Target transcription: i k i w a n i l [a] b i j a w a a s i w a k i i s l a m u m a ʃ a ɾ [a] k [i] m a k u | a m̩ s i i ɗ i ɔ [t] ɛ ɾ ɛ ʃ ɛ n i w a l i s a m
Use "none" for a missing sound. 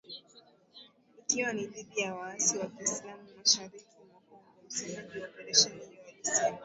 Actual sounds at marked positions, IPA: i, i, i, p

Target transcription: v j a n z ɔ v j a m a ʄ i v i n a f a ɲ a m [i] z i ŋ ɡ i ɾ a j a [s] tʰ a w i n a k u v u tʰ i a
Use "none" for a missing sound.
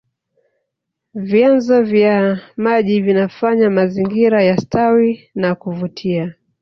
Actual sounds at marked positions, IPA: a, s

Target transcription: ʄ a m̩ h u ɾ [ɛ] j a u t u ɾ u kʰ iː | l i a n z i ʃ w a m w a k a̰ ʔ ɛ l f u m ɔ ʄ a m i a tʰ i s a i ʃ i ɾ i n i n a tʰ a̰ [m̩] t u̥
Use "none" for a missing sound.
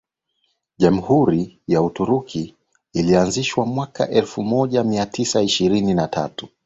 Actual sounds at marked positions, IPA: i, none

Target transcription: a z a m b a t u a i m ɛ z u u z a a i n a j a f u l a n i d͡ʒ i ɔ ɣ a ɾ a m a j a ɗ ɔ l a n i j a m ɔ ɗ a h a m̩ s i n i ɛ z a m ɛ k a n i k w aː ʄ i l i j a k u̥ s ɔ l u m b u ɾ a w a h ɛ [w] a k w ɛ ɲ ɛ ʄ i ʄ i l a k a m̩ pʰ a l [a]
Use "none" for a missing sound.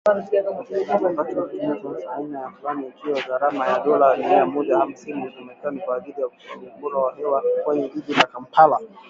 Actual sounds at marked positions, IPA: w, a

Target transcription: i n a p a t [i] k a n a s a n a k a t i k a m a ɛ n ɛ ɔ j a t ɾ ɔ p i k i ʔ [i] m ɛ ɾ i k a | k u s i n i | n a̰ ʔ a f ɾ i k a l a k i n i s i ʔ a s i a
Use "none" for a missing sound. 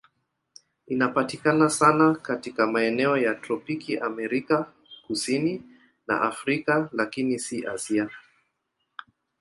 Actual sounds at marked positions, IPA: i, a

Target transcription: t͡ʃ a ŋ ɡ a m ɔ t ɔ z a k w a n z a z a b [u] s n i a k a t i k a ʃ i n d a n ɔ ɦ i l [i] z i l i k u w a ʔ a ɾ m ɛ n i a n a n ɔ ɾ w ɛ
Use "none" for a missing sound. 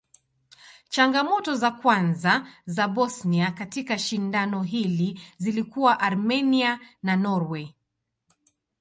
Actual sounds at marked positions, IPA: ɔ, i

